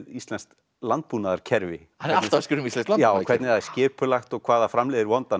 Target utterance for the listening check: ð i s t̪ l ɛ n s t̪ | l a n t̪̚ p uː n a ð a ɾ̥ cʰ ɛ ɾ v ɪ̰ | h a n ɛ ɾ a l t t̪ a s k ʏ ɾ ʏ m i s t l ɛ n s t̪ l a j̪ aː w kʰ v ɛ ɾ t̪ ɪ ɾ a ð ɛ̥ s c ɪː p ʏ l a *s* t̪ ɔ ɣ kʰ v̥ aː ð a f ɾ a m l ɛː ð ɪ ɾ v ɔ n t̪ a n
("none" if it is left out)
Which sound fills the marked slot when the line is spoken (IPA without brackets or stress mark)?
x